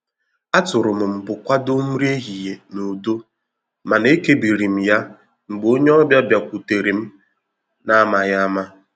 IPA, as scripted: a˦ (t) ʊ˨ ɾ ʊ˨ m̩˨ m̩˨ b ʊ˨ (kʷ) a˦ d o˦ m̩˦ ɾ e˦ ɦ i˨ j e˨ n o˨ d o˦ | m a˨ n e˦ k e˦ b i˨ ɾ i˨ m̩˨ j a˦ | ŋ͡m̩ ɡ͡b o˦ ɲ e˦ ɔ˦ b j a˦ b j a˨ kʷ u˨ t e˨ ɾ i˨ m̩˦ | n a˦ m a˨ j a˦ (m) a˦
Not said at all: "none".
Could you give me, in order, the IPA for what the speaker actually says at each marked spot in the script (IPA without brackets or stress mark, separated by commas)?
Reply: t, kʷ, m